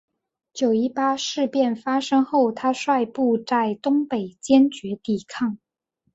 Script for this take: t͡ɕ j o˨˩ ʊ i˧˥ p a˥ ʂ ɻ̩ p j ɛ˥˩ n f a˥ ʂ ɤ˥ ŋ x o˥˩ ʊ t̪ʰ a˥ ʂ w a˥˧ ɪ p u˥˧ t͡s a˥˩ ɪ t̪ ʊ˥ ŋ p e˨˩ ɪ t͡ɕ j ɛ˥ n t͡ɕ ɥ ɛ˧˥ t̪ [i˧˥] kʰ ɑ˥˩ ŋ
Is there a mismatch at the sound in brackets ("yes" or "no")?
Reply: yes